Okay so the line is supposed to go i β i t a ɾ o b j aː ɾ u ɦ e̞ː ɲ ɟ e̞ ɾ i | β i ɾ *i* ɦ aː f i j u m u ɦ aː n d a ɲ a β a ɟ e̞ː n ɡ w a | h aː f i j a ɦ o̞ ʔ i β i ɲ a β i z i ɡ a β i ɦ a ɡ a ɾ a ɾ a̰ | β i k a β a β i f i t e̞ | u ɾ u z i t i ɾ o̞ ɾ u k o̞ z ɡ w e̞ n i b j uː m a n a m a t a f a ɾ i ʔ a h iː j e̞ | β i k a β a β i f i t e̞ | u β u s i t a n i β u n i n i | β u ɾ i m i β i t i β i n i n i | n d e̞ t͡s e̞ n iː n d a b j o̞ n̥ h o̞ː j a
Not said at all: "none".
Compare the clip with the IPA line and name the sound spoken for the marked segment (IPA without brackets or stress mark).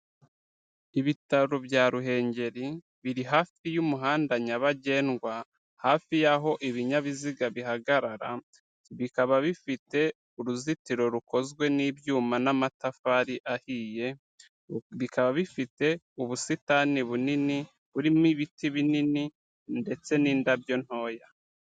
i